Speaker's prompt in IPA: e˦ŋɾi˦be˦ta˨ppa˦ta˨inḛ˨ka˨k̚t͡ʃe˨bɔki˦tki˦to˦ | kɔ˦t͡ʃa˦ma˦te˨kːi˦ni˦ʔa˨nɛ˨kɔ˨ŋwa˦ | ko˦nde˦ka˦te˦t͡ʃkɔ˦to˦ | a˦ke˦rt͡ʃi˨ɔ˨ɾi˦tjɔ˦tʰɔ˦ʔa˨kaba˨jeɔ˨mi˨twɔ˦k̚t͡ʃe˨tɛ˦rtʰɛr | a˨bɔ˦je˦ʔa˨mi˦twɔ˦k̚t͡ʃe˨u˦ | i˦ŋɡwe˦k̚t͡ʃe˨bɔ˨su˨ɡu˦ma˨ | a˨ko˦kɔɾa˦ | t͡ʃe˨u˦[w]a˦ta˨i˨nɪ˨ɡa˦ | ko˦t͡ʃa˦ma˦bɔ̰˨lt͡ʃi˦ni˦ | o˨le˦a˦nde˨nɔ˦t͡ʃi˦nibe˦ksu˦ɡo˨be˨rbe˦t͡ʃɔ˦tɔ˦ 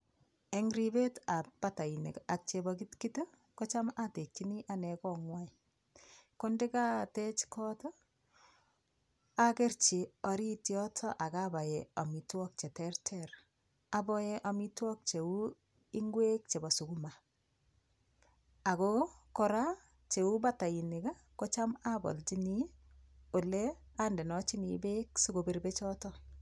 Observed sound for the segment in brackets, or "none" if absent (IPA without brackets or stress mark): b